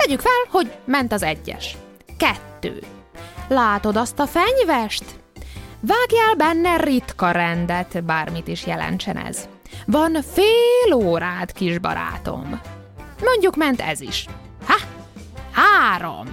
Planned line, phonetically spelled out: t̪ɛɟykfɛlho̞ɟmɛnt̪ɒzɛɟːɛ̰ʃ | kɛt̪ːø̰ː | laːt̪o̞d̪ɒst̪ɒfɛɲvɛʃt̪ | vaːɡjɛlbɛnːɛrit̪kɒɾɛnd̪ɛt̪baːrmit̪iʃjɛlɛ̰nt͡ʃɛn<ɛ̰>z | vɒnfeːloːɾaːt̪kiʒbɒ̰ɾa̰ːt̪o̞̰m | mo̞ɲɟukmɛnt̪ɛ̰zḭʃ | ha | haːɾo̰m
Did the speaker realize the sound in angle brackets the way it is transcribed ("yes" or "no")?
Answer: yes